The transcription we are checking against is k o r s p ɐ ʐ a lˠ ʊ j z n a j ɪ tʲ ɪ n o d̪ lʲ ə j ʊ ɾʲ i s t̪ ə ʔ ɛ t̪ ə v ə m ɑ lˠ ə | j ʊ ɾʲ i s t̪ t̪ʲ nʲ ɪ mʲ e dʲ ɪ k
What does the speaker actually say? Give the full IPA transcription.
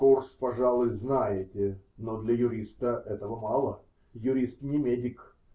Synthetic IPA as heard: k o r s p ɐ ʐ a lˠ ʊ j z n a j ɪ tʲ ɪ n o d̪ lʲ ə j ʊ ɾʲ i s t̪ ə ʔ ɛ t̪ ə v ə m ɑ lˠ ə | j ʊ ɾʲ i s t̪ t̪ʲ nʲ ɪ mʲ e dʲ ɪ k